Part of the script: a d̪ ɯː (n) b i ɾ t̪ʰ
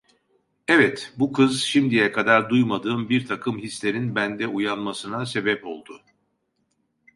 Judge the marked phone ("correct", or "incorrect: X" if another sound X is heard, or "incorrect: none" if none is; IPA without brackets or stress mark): incorrect: m